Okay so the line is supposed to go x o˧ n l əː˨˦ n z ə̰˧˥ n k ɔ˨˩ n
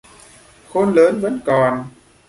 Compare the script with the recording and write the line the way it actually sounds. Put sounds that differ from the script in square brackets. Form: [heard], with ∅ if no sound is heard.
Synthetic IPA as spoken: x o˧ n l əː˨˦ n [v] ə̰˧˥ n k ɔ˨˩ n